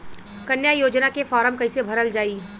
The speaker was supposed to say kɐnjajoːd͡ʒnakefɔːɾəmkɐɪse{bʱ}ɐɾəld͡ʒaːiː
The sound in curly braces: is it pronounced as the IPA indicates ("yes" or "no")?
yes